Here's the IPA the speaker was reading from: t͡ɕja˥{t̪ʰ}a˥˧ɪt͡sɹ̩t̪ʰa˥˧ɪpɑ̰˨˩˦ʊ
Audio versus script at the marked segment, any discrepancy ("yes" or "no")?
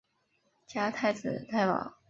no